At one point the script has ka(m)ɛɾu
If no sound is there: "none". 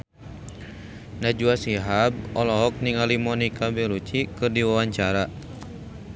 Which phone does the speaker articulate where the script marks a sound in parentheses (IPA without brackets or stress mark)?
b